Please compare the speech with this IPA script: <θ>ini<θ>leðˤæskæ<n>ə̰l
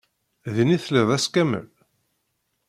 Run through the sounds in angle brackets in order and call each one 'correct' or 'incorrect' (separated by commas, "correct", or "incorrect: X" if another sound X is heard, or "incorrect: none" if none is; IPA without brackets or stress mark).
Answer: incorrect: ð, correct, incorrect: m